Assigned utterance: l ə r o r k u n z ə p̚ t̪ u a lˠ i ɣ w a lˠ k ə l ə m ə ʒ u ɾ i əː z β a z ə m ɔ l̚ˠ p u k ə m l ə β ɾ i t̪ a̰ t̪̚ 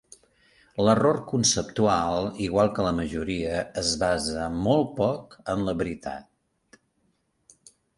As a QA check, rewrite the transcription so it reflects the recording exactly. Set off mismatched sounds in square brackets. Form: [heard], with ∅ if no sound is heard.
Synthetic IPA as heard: l ə r o r k u n [s] ə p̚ t̪ u a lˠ i ɣ w a lˠ k ə l ə m ə ʒ u ɾ i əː z β a z ə m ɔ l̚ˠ p [ɔ] k ə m l ə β ɾ i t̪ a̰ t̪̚